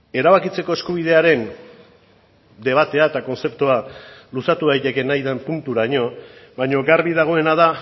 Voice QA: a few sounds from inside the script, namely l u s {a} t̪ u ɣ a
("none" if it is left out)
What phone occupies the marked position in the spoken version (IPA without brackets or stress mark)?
a